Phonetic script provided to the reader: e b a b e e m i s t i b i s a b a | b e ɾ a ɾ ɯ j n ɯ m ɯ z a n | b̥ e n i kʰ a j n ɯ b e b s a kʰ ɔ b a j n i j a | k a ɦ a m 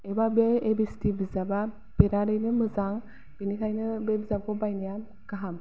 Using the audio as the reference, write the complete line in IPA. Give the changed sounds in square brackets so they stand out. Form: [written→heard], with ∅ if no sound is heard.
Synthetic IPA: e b a b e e [m→b] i s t i b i [s→z] a b a | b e ɾ a ɾ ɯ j n ɯ m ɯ z a [n→ŋ] | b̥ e n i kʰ a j n ɯ b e b [s→z] a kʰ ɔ b a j n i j a | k a ɦ a m